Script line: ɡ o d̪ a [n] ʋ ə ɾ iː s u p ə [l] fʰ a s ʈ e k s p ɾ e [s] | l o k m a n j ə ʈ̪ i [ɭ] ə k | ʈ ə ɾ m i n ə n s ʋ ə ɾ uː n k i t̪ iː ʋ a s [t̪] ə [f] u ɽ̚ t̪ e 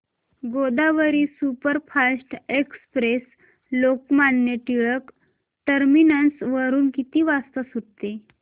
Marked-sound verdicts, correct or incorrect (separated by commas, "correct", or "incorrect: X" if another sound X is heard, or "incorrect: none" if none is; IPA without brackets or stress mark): incorrect: none, incorrect: ɾ, correct, correct, correct, incorrect: s